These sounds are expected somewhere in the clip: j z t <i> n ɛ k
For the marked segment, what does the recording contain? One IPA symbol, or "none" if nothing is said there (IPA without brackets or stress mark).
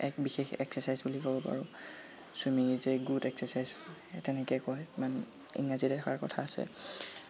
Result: ɛ